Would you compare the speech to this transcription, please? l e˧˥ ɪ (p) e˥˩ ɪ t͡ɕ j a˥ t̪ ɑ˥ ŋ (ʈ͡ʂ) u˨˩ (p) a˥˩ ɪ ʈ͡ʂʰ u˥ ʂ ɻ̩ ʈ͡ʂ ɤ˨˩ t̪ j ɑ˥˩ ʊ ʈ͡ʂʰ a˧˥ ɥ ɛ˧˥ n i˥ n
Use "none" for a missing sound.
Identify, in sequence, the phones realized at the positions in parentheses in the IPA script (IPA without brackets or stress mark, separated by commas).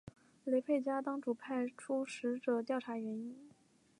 pʰ, ʈ͡ʂ, pʰ